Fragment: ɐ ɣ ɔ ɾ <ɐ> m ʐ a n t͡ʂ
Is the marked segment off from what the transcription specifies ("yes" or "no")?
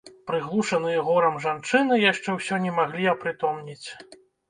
no